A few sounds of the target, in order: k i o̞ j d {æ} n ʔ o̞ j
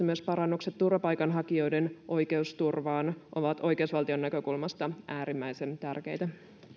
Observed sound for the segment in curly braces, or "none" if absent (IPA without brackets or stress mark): e